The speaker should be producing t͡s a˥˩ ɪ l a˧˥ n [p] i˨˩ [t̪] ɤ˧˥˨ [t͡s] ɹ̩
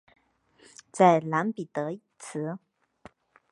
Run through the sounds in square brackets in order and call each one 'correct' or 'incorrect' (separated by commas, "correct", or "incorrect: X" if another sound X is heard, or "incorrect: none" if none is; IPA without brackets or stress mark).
correct, correct, incorrect: t͡sʰ